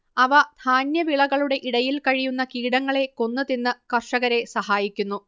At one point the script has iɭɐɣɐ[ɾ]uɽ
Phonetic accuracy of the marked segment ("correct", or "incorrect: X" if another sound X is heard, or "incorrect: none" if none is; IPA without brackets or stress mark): incorrect: ɭ